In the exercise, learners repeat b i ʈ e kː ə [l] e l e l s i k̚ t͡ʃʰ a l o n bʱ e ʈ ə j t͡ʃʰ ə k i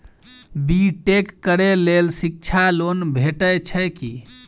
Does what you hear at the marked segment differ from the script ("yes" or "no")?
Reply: yes